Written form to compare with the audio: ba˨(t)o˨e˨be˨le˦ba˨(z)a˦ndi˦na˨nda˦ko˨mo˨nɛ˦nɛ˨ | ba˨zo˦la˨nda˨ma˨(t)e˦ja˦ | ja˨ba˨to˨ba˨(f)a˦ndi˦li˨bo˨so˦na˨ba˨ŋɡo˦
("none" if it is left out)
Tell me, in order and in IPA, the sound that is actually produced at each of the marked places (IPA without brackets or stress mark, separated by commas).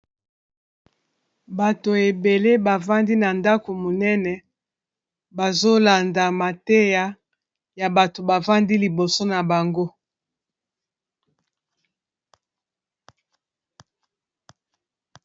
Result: t, v, t, v